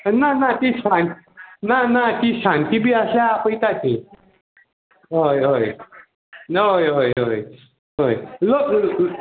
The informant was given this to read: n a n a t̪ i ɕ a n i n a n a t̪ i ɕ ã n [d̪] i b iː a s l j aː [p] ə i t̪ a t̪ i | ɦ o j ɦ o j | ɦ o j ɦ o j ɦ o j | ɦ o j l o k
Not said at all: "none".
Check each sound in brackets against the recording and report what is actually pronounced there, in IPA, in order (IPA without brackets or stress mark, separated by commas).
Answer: t̪, p